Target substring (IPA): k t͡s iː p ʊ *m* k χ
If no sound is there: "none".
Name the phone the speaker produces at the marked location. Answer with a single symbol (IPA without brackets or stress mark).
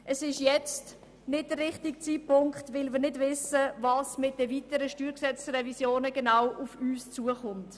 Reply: ŋ